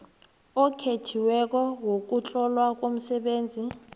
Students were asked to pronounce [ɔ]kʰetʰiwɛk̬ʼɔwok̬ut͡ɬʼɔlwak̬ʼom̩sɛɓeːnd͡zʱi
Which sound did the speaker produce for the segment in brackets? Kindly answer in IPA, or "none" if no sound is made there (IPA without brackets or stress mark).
ɔ